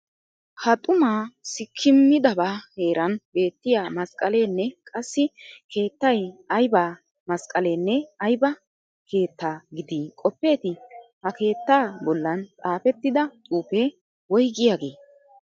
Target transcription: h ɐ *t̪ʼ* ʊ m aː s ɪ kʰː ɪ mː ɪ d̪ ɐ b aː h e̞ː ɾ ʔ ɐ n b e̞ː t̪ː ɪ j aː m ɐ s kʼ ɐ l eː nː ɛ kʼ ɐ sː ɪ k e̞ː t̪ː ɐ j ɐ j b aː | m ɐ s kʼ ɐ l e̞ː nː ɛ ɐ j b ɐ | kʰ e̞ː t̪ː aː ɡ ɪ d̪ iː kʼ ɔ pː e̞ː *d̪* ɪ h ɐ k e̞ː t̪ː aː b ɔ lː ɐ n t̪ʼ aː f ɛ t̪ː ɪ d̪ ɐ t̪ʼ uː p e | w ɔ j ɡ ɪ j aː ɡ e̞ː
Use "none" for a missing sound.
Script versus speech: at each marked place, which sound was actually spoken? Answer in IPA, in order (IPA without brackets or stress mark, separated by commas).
t̪ʼ, t̪